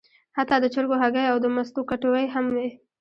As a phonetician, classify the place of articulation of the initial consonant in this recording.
glottal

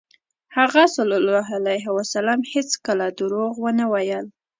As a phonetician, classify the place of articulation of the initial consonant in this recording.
glottal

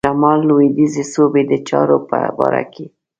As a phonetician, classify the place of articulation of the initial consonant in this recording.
labial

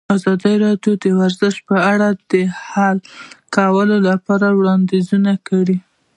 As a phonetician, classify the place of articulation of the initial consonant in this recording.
alveolar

